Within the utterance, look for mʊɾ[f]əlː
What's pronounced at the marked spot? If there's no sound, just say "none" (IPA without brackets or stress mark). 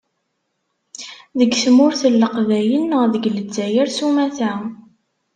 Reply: θ